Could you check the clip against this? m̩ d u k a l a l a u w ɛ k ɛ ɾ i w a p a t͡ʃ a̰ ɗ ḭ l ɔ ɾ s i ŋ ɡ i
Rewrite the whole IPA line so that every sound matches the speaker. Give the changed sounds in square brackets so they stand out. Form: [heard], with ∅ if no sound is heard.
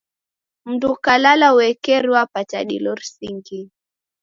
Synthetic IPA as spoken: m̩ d u k a l a l a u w ɛ k ɛ ɾ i w a p a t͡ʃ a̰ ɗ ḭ l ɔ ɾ s i ŋ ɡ i